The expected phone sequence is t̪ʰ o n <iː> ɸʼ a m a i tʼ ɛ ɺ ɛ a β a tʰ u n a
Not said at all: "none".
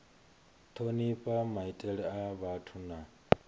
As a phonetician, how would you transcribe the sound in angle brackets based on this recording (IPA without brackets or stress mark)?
i